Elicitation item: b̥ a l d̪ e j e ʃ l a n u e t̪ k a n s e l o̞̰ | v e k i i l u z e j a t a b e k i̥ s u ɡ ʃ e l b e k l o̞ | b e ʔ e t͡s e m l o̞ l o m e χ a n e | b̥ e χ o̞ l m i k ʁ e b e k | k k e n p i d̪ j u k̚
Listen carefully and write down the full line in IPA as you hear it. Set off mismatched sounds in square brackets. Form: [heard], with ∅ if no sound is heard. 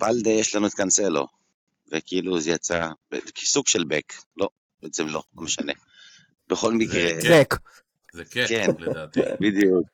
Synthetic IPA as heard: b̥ a l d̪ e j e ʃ l a n u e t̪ k a n s e l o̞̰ | v e k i i l u z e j a [t͡s] a b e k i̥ s u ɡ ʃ e l b e k l o̞ | b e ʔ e t͡s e m l o̞ l o m e [ʃ] a n e | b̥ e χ o̞ l m i k ʁ e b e k | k k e n [b] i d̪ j u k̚